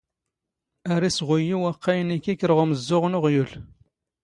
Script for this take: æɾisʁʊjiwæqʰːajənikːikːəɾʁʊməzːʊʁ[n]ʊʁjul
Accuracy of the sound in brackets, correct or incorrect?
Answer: correct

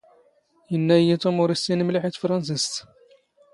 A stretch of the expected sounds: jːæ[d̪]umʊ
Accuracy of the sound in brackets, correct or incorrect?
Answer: incorrect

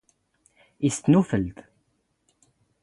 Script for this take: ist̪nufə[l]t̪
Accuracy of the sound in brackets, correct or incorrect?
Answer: correct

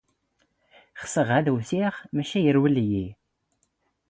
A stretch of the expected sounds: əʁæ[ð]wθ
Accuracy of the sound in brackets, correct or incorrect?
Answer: correct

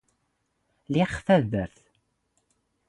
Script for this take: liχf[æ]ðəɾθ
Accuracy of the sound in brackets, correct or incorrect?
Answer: correct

